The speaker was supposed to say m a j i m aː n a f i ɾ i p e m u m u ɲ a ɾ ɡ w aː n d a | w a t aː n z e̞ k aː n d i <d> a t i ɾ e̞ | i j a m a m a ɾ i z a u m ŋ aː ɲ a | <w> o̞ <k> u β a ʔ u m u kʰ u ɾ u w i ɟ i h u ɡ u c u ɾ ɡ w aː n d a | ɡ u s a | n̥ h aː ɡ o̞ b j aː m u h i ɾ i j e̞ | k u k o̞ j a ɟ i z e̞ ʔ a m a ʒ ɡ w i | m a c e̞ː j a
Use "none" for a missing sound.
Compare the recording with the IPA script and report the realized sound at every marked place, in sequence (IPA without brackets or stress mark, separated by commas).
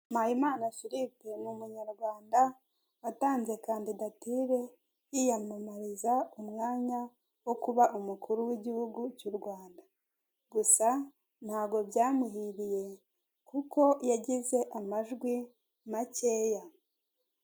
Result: d, w, k